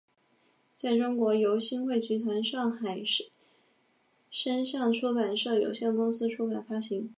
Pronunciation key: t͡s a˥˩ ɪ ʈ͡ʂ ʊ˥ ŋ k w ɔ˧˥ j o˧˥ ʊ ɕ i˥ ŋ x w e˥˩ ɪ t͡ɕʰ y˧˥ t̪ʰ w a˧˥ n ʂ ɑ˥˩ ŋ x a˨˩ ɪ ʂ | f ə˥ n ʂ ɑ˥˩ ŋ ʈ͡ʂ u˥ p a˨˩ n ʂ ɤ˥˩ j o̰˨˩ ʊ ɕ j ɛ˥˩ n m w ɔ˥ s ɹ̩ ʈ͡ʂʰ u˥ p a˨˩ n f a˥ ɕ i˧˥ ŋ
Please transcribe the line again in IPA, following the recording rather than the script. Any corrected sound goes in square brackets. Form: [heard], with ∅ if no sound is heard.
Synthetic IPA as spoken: t͡s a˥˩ ɪ ʈ͡ʂ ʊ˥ ŋ k w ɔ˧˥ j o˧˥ ʊ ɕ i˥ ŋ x w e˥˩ ɪ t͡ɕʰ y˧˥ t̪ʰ w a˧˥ n ʂ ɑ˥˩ ŋ x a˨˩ ɪ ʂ | [ʂ] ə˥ n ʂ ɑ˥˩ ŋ [ʈ͡ʂʰ] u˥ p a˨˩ n ʂ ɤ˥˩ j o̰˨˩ ʊ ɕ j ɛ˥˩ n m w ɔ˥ s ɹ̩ ʈ͡ʂʰ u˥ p a˨˩ n f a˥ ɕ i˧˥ ŋ